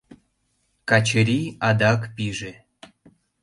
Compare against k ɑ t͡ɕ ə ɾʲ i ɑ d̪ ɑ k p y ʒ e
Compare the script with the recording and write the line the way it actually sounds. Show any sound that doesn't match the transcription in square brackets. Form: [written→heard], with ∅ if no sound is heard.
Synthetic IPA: k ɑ t͡ɕ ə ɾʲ i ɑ d̪ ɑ k p [y→i] ʒ e